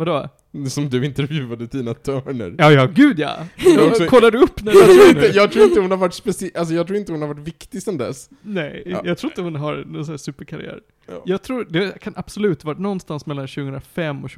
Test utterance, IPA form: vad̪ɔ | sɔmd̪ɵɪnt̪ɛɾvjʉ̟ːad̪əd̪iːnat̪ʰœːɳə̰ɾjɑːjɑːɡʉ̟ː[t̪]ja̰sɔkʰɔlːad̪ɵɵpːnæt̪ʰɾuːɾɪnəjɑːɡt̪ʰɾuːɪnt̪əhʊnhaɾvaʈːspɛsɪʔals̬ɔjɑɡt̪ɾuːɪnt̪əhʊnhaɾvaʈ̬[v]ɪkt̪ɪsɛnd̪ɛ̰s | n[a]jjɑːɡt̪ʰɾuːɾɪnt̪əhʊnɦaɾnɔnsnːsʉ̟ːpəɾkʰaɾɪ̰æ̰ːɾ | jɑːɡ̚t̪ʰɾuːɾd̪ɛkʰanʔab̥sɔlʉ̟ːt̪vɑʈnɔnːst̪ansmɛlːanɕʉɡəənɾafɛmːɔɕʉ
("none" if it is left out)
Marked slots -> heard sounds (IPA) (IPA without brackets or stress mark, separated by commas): d̪, v, ɛ